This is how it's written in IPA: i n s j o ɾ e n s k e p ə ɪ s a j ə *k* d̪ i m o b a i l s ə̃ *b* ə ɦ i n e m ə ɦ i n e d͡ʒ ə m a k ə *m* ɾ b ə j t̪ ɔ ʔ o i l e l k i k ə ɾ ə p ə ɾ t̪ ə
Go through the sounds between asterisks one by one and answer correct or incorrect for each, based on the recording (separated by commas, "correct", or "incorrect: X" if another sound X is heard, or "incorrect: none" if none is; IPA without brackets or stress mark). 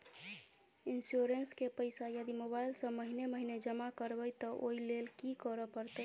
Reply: incorrect: none, incorrect: m, incorrect: none